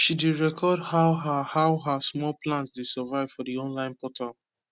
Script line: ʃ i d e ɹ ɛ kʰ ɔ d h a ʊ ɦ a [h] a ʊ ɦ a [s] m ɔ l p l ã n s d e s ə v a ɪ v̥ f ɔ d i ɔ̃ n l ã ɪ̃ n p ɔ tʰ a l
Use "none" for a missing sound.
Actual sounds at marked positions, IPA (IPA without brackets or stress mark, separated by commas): h, s